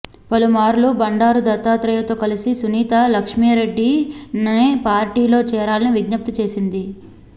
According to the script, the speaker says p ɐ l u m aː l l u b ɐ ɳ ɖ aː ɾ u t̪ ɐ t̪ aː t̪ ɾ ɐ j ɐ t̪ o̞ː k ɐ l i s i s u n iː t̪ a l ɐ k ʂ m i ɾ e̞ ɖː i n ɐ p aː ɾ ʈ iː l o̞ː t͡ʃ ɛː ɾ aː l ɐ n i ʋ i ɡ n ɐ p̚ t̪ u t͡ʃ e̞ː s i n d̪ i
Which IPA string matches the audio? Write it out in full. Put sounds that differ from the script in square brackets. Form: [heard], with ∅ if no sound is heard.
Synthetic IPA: p ɐ l u m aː [ɾ] l u b ɐ ɳ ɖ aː ɾ u [d̪] ɐ t̪ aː t̪ ɾ ɐ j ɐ t̪ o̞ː k ɐ l i s i s u n iː t̪ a l ɐ k ʂ m i ɾ e̞ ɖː i n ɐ p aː ɾ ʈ iː l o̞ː t͡ʃ ɛː ɾ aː l ɐ n i ʋ i ɡ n ɐ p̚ t̪ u t͡ʃ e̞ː s i n d̪ i